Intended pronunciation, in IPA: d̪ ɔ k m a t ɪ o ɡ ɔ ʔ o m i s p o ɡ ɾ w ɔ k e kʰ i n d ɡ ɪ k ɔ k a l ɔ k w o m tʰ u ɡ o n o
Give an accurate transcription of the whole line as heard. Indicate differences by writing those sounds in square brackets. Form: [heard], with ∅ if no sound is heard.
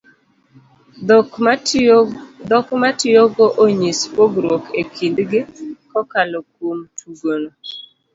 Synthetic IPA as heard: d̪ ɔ k m a t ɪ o ɡ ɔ ʔ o [ɲ] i s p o ɡ ɾ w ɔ k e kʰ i n d ɡ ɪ k ɔ k a l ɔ k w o m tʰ u ɡ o n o